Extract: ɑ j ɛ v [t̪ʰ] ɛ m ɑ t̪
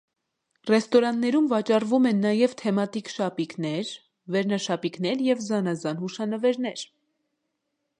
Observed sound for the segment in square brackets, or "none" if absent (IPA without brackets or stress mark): t̪ʰ